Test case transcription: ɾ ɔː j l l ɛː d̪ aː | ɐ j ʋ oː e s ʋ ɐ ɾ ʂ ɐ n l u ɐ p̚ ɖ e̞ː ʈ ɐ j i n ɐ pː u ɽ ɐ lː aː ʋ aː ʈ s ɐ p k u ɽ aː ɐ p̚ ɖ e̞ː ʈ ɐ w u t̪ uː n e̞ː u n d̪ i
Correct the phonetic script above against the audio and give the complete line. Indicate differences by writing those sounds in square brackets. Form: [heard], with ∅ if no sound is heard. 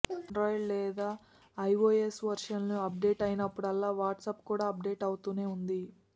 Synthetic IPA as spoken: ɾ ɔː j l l ɛː d̪ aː | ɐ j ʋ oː e s ʋ ɐ ɾ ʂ ɐ n l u ɐ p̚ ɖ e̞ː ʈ ɐ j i n ɐ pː u ɽ ɐ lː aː ʋ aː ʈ s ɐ p k [uː] ɽ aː ɐ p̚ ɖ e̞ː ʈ ɐ w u t̪ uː n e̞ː u n d̪ i